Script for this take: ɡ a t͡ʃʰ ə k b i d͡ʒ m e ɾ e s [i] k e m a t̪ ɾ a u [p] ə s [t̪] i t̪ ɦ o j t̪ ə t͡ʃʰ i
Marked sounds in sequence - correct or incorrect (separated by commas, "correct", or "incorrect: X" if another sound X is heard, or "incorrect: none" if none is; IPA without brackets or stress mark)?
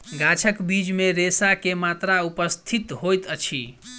incorrect: a, correct, incorrect: t̪ʰ